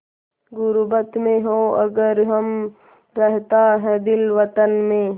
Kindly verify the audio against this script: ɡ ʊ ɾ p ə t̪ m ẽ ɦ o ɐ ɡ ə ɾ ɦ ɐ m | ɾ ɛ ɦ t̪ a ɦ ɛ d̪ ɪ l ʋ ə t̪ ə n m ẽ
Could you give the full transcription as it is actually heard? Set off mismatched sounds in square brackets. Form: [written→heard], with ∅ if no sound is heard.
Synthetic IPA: ɡ ʊ ɾ [p→b] ə t̪ m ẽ ɦ o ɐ ɡ ə ɾ ɦ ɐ m | ɾ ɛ ɦ t̪ a ɦ ɛ d̪ ɪ l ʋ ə t̪ ə n m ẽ